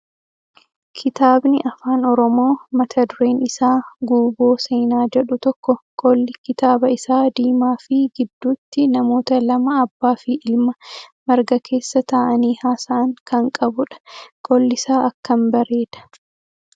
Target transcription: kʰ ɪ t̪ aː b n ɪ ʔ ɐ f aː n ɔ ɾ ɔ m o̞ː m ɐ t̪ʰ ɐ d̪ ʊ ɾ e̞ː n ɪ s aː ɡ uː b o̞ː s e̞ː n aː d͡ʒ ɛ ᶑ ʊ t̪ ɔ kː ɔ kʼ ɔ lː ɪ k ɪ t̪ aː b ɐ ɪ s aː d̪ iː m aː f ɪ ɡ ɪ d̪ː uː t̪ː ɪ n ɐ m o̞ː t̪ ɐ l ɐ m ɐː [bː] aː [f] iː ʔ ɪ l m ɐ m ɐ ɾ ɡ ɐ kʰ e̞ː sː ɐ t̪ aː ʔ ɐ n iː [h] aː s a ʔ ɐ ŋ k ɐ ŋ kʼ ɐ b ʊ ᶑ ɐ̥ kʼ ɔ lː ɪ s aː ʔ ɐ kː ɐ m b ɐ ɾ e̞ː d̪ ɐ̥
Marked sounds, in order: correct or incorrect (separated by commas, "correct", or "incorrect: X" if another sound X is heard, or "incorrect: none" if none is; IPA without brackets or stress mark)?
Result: correct, correct, correct